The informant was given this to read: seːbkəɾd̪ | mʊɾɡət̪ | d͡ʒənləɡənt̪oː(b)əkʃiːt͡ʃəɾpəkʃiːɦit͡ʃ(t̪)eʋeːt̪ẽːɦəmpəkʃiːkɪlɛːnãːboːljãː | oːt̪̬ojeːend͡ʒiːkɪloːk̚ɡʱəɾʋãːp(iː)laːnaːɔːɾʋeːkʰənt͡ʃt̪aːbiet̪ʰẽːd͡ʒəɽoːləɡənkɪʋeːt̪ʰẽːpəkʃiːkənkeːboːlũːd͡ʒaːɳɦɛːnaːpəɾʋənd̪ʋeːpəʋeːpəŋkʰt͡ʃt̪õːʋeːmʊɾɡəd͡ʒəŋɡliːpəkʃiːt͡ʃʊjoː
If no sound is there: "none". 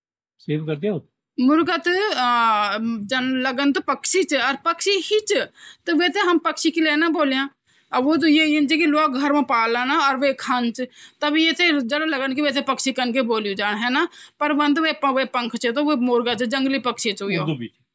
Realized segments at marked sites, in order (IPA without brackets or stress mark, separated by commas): p, t̪, aː